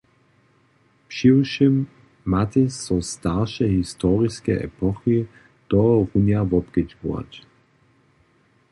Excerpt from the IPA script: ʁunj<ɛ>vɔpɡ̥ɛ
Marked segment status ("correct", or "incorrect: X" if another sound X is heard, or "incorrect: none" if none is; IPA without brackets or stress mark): incorrect: a